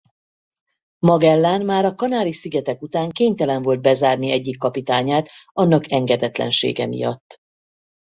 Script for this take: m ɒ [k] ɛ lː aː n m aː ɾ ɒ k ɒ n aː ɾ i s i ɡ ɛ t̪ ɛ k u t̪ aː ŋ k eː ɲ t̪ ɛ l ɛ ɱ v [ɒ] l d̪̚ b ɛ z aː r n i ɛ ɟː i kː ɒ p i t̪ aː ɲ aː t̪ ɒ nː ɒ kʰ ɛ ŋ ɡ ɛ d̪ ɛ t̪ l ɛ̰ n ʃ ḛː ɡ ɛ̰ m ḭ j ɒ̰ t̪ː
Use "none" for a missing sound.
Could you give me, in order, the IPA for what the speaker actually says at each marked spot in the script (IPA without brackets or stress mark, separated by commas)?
ɡ, o